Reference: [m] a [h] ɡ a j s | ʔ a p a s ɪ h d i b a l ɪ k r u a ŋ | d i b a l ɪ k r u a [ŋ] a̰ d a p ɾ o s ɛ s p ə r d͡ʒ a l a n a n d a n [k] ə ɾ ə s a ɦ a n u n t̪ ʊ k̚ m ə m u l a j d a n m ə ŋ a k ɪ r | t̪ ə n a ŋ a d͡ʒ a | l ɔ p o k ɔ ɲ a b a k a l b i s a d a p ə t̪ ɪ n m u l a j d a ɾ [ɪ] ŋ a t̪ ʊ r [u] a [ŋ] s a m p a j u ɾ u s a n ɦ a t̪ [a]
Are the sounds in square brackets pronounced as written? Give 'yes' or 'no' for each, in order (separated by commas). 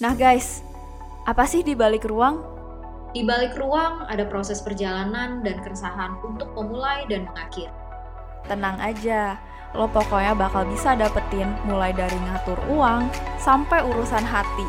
no, yes, yes, yes, no, yes, yes, no